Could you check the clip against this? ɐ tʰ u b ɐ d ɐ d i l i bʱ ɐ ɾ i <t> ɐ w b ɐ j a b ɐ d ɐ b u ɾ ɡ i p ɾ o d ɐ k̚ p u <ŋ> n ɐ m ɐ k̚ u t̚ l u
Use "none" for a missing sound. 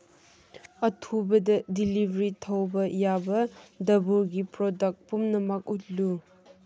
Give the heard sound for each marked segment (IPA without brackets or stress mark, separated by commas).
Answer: tʰ, m